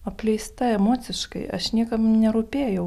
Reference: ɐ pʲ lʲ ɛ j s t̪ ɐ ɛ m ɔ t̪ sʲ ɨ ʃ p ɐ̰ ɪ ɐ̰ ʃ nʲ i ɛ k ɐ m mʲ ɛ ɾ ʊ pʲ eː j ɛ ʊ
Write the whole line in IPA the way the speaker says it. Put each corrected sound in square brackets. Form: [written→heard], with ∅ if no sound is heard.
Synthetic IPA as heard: ɐ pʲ lʲ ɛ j s t̪ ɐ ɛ m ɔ t̪ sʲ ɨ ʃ [p→k] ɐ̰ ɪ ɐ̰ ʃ nʲ i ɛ k ɐ m [mʲ→nʲ] ɛ ɾ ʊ pʲ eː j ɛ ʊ